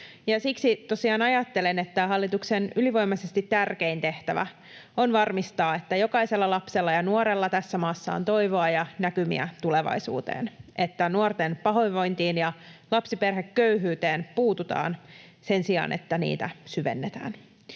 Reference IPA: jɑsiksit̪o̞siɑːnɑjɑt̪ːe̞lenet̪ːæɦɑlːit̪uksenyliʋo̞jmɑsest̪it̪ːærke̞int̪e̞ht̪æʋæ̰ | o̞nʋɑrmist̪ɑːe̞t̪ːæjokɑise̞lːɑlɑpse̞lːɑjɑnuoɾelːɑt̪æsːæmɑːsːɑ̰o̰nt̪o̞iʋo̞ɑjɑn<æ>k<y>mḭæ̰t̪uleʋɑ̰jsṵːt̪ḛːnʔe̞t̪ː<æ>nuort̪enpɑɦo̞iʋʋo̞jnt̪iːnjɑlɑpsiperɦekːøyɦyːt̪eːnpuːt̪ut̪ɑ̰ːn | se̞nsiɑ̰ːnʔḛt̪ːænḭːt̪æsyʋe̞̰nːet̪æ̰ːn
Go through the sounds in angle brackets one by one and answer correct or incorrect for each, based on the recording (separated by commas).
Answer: correct, correct, correct